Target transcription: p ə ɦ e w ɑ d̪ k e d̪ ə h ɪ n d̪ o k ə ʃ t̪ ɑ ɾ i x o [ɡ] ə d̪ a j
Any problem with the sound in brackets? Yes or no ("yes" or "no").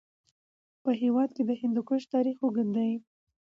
no